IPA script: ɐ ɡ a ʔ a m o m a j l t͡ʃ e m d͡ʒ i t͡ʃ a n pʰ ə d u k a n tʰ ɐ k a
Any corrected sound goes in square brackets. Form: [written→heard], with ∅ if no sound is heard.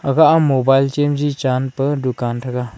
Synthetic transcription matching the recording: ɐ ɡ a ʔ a m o [m→b] a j l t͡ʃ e m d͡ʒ i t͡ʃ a n [pʰ→p] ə d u k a n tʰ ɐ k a